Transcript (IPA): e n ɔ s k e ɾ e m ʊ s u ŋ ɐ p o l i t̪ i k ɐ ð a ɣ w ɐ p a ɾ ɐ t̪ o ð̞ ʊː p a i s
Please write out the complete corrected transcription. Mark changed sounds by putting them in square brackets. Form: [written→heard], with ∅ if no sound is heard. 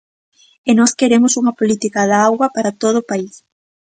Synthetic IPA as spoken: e n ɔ s k e ɾ e m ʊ s u ŋ ɐ p o l i t̪ i k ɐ ð a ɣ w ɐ p a ɾ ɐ t̪ o ð̞ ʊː p a i s